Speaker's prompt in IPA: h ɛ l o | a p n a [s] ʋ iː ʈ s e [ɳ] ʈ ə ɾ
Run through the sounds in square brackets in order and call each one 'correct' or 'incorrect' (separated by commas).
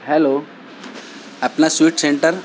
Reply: correct, correct